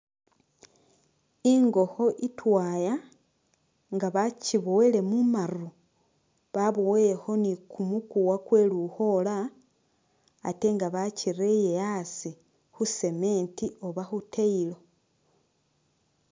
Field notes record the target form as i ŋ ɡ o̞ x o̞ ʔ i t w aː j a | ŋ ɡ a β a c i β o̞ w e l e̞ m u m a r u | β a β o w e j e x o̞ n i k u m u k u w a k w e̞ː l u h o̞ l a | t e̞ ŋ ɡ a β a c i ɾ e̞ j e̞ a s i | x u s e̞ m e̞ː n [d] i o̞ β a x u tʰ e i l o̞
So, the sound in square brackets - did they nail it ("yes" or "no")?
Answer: no